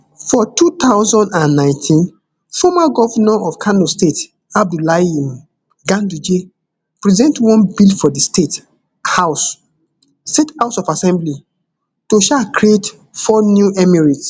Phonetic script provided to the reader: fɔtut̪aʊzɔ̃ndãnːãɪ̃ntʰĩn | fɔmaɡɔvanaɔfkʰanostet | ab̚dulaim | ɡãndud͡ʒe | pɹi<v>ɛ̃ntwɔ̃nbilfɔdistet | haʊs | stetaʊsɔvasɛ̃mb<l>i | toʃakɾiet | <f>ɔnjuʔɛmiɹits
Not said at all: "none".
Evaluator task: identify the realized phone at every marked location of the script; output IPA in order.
z, l, f

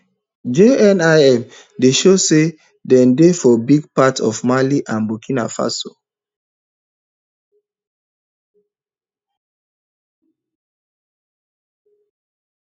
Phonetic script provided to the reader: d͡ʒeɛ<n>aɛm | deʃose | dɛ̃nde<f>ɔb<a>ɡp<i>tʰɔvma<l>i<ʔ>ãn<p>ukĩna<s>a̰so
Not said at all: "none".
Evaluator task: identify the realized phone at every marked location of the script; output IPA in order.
n, f, i, a, l, ʔ, b, f

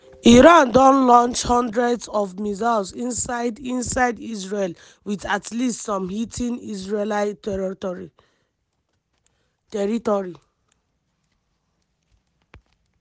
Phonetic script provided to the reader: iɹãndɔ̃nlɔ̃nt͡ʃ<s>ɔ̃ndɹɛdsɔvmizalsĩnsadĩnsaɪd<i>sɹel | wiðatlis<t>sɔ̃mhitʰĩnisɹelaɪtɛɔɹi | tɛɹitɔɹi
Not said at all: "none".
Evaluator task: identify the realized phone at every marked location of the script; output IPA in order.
h, i, t

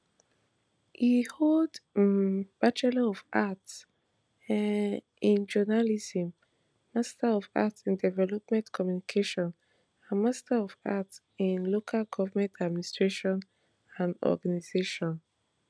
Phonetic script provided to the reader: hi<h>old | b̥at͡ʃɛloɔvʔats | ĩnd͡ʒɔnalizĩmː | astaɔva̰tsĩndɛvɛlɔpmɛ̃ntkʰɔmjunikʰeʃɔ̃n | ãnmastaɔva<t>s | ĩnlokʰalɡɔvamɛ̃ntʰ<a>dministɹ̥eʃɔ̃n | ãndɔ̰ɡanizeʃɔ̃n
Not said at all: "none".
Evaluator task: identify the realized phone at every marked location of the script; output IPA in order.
h, t, a

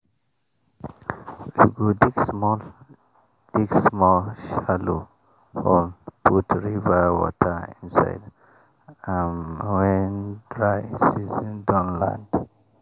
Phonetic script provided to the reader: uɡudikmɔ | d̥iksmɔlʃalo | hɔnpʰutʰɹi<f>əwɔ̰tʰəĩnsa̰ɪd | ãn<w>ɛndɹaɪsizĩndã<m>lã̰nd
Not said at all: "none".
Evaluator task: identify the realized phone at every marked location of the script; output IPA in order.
v, w, n

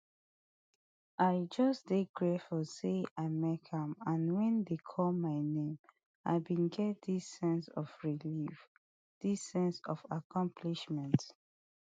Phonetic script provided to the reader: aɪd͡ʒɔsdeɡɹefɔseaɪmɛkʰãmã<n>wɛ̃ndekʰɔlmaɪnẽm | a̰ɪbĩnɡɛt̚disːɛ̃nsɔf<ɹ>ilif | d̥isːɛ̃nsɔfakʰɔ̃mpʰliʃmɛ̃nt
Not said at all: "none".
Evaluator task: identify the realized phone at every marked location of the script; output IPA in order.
n, ɹ

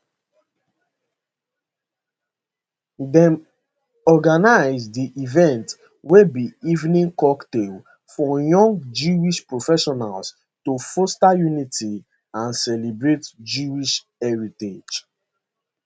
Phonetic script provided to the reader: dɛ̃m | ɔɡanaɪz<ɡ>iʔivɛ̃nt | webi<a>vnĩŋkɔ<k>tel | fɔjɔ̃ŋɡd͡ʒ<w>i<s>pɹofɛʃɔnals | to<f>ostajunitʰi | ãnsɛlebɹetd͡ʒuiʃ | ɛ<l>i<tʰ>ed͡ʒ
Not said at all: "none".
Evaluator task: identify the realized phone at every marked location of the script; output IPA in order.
d, i, k, u, ʃ, f, ɹ, t

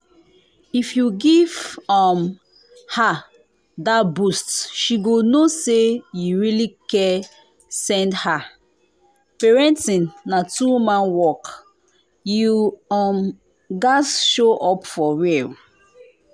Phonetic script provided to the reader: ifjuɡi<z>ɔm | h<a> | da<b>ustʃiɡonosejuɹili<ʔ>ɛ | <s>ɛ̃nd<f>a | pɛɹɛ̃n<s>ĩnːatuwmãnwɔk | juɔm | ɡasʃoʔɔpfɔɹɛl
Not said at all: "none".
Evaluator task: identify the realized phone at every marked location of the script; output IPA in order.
v, a, b, k, s, h, t

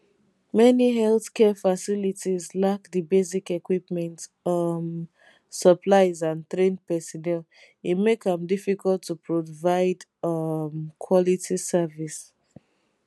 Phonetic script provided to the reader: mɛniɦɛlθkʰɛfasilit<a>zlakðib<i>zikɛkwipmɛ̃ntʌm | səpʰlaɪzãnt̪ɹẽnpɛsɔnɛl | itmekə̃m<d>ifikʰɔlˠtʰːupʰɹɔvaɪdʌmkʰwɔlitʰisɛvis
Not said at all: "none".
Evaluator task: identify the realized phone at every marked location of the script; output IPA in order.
i, e, d

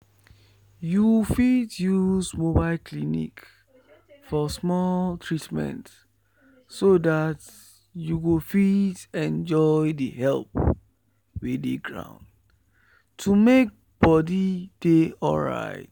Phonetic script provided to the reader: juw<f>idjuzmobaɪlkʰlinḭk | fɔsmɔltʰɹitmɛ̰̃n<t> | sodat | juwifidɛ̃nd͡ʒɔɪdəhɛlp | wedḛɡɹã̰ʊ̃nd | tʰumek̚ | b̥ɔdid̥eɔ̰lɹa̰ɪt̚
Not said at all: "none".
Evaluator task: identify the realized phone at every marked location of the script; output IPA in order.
f, t

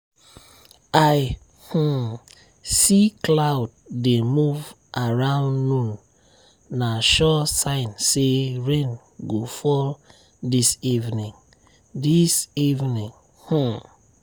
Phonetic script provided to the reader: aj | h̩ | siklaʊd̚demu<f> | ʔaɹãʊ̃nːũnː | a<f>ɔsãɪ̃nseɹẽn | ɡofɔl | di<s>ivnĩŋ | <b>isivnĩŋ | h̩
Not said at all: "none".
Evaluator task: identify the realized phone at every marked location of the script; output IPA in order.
v, ʃ, s, d

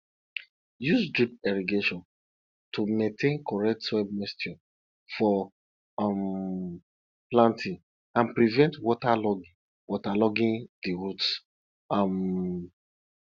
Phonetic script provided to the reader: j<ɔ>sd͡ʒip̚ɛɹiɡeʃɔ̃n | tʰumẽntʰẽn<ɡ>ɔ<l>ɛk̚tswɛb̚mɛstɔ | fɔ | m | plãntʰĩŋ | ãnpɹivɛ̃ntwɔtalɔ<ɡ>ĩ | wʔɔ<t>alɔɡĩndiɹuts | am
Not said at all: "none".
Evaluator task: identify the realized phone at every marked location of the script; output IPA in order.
u, k, ɹ, ɡ, t

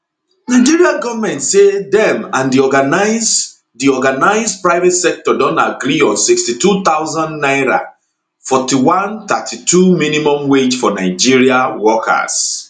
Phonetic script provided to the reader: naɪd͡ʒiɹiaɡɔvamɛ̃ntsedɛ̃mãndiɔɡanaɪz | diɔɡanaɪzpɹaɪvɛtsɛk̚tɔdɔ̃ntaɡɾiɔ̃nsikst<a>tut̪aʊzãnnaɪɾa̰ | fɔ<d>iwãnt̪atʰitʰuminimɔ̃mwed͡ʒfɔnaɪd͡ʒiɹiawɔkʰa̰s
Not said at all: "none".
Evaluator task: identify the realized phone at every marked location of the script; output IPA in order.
i, t

